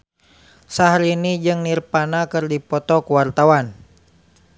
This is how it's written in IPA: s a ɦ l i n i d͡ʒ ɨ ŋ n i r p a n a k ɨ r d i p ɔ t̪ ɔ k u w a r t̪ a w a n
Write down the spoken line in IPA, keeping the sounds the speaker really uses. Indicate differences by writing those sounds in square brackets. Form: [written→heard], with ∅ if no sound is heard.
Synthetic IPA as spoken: s a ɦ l i n i d͡ʒ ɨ ŋ n i r p a n a k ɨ r d i p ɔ t̪ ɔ k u w a r t̪ a w a n